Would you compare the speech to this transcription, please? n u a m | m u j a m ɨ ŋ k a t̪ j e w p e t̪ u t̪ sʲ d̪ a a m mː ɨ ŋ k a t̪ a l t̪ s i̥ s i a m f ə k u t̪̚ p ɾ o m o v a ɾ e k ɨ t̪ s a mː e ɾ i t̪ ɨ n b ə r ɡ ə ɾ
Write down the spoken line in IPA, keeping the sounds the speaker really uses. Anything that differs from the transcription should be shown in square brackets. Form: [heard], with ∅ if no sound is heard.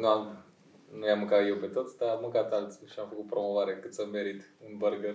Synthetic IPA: n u a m | [n] u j a m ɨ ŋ k a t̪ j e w p e t̪ [o] t̪ sʲ d̪ a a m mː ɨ ŋ k a t̪ a l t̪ s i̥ [ʃ] i a m f ə k u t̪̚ p ɾ o m o v a ɾ e k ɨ t̪ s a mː e ɾ i t̪ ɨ n b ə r ɡ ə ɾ